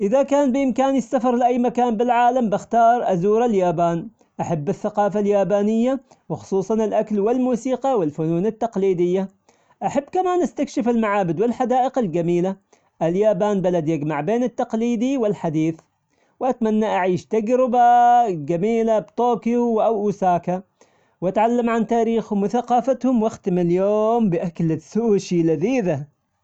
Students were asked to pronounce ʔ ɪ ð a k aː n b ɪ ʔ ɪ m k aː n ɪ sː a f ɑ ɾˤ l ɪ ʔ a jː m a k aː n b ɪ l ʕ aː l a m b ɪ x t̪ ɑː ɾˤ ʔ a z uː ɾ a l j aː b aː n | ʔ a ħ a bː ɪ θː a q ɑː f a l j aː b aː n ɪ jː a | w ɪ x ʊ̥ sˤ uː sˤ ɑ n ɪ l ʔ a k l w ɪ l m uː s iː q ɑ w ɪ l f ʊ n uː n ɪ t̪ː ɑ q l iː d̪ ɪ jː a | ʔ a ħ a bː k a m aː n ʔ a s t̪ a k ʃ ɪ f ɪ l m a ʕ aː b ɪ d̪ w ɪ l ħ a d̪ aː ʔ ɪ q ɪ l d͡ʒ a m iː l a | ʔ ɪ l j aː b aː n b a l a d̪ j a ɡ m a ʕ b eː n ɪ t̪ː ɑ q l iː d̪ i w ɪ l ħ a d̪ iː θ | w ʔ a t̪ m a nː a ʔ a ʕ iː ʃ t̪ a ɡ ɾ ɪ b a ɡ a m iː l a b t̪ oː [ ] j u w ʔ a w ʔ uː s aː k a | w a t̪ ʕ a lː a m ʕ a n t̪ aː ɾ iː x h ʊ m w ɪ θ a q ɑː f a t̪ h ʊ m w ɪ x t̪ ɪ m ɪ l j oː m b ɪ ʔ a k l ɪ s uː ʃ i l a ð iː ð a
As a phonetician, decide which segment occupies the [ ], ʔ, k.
k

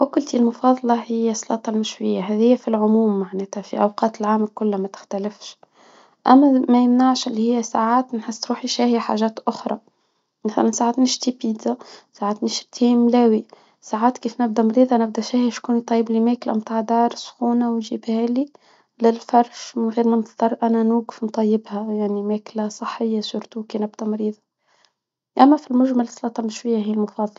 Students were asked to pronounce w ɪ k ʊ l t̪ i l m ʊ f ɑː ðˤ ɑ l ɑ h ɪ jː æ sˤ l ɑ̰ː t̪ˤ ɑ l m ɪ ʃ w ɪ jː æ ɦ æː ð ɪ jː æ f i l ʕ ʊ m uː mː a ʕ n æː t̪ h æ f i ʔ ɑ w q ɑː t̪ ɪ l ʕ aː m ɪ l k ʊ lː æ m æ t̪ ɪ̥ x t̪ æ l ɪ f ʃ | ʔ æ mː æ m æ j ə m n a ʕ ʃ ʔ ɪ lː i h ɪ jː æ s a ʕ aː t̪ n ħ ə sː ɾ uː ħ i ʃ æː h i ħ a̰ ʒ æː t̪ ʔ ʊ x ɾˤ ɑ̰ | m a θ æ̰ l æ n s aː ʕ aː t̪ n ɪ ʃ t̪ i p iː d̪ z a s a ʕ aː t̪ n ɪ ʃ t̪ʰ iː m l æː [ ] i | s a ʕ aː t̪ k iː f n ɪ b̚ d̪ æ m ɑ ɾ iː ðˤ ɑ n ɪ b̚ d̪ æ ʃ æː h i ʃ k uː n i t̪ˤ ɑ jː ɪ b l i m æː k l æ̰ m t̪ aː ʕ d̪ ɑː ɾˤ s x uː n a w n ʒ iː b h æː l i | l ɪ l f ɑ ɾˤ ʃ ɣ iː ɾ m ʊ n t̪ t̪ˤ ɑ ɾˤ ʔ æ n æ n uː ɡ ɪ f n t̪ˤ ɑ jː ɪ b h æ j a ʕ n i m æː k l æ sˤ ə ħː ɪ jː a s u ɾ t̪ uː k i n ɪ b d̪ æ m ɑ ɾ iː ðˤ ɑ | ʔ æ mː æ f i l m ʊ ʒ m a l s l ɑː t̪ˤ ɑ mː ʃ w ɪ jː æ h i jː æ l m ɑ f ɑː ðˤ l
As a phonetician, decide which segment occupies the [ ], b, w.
w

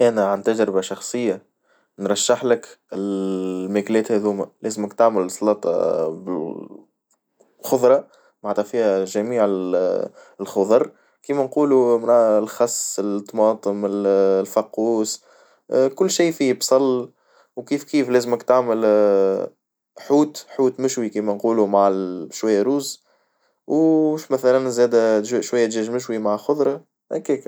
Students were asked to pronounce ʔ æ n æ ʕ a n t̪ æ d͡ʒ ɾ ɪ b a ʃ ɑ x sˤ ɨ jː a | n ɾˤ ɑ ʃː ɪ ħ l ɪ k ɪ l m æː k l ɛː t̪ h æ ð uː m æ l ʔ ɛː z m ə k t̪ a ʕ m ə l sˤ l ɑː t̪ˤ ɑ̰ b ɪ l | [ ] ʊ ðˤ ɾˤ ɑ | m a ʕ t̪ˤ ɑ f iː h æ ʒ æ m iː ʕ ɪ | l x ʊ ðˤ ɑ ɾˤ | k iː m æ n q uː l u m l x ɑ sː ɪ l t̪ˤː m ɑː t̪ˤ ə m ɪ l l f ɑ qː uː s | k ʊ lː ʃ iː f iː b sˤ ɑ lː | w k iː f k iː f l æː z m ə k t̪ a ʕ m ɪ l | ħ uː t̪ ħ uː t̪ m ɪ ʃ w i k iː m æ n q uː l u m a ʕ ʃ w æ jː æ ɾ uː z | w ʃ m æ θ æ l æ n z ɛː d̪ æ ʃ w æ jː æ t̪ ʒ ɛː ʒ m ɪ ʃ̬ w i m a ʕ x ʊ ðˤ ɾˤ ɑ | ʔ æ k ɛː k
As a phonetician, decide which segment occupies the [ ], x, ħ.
x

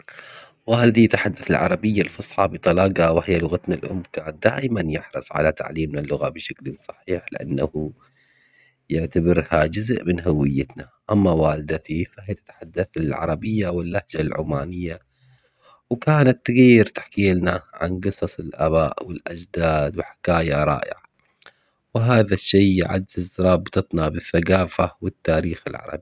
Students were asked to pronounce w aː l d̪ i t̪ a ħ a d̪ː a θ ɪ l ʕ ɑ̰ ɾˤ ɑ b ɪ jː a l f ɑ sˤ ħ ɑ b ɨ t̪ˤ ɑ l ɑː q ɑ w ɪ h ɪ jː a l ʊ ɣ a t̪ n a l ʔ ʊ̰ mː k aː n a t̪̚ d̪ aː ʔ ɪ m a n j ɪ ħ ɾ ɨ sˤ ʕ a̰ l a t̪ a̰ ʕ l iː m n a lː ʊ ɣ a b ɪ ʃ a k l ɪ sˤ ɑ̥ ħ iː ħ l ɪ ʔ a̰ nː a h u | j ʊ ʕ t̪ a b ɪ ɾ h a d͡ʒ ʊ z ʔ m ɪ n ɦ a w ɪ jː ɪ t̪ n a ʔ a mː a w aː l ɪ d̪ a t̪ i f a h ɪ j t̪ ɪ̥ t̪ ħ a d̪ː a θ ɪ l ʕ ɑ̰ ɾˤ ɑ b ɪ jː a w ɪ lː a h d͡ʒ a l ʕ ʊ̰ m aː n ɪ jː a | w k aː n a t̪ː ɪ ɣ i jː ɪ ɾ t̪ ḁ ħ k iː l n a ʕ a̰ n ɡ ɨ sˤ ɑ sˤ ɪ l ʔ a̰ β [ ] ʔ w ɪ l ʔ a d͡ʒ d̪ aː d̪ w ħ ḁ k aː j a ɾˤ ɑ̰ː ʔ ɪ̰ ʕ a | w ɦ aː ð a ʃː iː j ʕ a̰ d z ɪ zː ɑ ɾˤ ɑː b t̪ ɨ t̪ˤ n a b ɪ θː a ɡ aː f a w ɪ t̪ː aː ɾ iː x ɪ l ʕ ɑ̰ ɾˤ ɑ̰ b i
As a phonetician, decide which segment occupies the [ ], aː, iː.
aː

